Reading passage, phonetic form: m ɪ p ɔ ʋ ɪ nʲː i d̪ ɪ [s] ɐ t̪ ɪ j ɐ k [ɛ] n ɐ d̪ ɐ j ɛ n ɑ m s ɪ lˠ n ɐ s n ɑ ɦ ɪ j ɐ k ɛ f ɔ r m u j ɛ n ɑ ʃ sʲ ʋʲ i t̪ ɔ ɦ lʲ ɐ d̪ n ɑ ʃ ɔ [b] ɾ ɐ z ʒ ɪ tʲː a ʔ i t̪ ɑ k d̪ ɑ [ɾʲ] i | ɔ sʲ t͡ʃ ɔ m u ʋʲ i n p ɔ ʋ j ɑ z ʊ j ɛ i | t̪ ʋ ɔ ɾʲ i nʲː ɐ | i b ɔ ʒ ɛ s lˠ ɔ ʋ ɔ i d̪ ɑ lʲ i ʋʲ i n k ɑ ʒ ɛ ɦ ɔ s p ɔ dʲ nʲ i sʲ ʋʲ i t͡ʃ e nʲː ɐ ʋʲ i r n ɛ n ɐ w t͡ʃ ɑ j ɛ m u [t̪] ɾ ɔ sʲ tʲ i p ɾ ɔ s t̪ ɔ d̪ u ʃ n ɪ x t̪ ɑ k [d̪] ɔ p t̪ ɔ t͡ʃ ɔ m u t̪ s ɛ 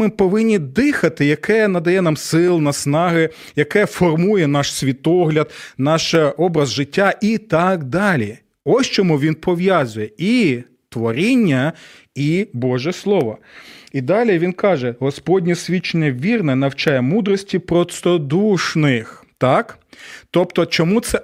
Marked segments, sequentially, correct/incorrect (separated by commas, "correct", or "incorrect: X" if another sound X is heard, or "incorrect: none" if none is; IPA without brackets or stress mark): incorrect: x, correct, correct, incorrect: lʲ, incorrect: d̪, incorrect: t̪